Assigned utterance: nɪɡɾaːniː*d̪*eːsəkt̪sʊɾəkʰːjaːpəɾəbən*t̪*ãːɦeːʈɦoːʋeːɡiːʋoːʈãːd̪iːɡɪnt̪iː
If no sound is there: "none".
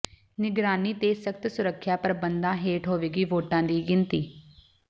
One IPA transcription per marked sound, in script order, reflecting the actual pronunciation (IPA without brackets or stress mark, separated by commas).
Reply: t̪, d̪